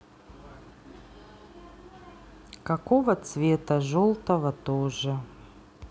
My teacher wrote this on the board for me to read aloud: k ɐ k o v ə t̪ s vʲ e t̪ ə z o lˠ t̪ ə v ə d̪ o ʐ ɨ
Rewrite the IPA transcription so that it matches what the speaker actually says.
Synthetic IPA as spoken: k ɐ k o v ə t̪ s vʲ e t̪ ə ʐ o lˠ t̪ ə v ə t̪ o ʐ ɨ